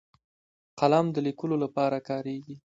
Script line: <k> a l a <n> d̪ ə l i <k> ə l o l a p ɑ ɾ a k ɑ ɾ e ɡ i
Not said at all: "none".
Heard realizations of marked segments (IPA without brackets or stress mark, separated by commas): q, m, k